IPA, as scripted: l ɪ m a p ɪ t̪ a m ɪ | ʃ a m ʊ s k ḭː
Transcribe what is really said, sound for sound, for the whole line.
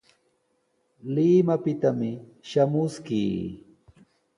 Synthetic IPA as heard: l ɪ m a p ɪ t̪ a m ɪ | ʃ a m ʊ s k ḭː